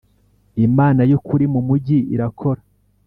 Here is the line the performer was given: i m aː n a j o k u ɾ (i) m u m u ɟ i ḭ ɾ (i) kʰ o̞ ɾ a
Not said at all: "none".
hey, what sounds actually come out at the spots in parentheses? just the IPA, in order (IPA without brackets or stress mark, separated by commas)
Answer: i, a